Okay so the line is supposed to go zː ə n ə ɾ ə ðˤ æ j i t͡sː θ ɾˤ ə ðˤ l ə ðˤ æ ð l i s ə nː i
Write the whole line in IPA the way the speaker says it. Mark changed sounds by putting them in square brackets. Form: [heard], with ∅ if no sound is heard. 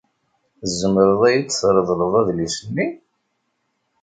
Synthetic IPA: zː ə [m] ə ɾ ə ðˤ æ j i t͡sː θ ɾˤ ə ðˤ l ə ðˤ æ ð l i s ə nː i